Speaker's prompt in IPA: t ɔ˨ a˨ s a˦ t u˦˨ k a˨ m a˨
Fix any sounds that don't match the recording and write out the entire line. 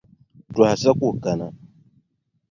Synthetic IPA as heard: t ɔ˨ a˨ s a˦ k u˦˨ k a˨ n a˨